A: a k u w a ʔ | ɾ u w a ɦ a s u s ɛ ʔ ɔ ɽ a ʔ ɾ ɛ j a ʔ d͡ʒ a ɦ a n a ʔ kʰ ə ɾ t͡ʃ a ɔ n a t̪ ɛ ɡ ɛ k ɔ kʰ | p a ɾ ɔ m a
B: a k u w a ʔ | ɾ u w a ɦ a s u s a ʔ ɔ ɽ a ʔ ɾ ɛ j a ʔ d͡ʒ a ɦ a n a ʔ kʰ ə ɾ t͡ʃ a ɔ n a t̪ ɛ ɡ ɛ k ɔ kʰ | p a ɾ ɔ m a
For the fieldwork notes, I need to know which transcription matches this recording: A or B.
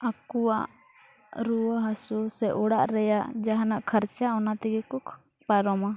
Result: A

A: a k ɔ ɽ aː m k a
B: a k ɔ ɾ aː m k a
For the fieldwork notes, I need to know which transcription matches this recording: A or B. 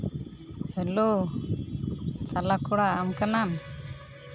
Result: A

